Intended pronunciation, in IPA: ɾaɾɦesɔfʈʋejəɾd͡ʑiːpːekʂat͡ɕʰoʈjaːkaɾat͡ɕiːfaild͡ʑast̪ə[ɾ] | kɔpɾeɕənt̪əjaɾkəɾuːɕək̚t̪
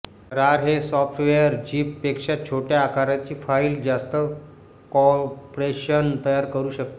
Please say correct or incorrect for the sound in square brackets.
incorrect